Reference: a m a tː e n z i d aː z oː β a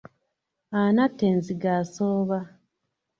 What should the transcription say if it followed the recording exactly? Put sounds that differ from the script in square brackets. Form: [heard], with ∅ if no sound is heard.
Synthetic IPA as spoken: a [n] a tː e n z i [ɡ] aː [s] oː β a